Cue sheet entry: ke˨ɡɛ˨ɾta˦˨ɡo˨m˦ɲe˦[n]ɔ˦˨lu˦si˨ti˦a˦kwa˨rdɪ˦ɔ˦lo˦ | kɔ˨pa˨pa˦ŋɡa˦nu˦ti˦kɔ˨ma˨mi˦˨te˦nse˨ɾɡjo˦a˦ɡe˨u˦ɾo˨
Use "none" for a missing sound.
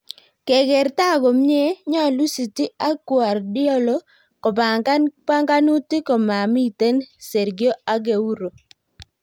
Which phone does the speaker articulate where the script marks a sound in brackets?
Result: ɲ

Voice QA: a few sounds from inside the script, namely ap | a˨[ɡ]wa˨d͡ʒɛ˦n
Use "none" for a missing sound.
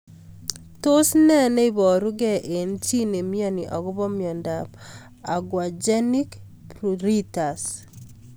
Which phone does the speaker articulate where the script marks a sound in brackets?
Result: ɡ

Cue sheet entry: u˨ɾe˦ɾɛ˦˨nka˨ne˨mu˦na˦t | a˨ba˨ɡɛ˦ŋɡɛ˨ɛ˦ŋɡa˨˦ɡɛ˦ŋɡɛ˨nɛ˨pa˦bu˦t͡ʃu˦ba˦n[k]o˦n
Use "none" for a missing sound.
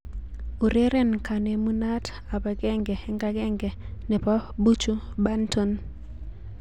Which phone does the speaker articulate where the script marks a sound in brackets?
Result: t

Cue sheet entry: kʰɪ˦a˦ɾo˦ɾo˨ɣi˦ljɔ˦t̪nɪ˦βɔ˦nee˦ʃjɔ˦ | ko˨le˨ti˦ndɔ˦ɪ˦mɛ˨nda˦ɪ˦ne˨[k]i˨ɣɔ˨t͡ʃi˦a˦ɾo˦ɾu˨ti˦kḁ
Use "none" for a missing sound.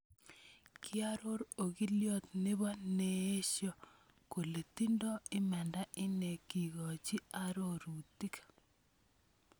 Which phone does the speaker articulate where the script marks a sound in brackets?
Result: k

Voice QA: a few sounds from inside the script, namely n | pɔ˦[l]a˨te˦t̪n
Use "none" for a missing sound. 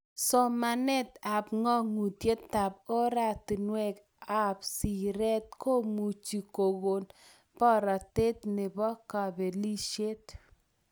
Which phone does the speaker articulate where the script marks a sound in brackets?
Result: ɾ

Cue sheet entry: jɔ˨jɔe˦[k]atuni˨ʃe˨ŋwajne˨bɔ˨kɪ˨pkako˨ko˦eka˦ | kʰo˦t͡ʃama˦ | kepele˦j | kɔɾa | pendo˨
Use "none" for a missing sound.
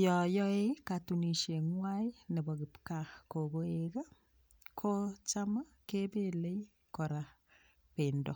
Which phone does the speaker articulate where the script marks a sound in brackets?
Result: k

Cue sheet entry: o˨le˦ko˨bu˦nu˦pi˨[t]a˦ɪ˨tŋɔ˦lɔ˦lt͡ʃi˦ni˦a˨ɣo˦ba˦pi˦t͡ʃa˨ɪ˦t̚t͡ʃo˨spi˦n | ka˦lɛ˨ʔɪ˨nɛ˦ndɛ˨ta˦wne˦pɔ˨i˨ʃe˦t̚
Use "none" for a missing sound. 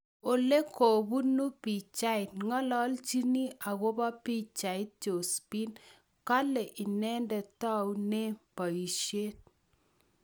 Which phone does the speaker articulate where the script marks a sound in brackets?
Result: t͡ʃ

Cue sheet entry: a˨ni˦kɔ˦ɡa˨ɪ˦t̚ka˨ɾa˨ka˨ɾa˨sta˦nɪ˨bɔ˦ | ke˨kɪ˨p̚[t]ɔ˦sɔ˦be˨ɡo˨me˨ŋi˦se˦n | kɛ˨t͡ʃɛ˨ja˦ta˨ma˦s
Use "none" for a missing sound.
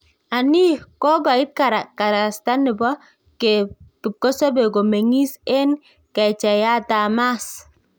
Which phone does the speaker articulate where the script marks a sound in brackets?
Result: k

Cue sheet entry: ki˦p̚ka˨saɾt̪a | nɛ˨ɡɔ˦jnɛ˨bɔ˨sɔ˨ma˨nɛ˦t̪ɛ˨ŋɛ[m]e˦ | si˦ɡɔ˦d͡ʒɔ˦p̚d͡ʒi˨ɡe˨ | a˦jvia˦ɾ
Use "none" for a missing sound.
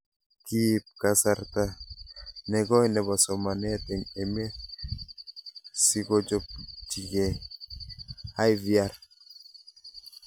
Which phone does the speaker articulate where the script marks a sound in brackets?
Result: m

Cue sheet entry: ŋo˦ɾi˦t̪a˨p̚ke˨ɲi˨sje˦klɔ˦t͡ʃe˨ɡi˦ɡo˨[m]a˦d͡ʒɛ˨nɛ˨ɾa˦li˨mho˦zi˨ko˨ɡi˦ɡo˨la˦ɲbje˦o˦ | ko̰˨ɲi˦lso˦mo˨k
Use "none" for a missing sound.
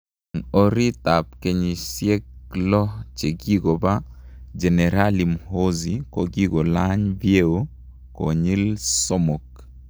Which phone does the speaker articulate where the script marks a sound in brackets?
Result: b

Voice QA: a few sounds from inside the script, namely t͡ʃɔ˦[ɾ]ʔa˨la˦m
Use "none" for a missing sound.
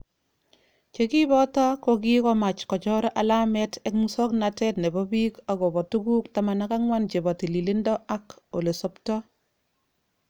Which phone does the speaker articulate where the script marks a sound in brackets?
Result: ɾ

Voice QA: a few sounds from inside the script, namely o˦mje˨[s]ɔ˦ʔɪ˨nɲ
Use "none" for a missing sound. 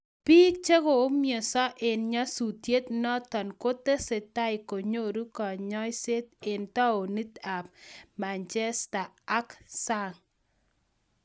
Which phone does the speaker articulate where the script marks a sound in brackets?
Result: s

